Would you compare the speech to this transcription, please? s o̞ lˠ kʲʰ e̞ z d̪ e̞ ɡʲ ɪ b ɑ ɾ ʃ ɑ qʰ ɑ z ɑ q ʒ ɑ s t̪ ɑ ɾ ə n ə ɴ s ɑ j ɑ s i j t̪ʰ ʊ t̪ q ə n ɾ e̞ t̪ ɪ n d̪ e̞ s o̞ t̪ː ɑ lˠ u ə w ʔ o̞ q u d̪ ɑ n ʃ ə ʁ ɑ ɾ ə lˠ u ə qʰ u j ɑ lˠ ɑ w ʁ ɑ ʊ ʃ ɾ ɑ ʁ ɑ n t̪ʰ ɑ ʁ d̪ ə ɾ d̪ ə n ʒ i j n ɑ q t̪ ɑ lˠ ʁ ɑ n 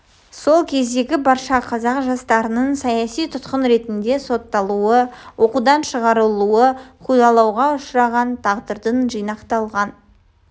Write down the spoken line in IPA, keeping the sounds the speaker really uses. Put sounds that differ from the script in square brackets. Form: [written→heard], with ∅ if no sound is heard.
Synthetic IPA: s o̞ lˠ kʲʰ e̞ z d̪ e̞ ɡʲ ɪ b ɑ ɾ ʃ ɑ qʰ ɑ z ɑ q ʒ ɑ s t̪ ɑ ɾ ə n ə ɴ s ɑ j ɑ s i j t̪ʰ ʊ t̪ q ə n ɾ e̞ t̪ ɪ n d̪ e̞ s o̞ t̪ː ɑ lˠ u ə w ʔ o̞ q u d̪ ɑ n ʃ ə ʁ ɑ ɾ ə lˠ u ə qʰ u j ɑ lˠ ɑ w ʁ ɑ ʊ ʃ ɾ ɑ ʁ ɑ n t̪ʰ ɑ ʁ d̪ ə ɾ d̪ ə n ʒ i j n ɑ q t̪ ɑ lˠ ʁ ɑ n